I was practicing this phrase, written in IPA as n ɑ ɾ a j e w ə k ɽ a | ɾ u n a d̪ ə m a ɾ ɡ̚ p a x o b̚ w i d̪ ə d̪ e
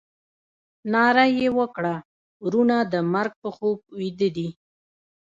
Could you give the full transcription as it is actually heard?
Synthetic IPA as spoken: n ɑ ɾ a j e w ə k ɽ a | ɾ u n a d̪ ə m a ɾ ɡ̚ p ə x o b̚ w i d̪ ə d̪ i